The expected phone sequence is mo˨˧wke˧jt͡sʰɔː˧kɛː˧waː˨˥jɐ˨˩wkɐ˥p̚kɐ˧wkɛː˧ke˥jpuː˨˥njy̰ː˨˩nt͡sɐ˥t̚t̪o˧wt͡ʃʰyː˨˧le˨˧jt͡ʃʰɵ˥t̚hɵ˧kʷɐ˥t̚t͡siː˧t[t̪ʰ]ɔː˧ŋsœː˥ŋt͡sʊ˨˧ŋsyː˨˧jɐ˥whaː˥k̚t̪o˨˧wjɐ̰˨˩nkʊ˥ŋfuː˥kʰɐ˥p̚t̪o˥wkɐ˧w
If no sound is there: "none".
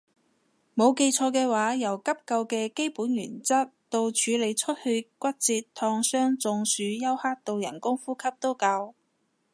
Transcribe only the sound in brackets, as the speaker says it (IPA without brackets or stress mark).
t̪ʰ